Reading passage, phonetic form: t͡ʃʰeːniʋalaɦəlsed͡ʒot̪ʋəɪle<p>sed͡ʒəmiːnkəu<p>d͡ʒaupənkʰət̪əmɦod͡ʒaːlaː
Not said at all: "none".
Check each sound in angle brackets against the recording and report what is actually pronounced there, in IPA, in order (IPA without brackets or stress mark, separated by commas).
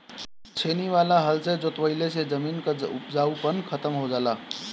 none, p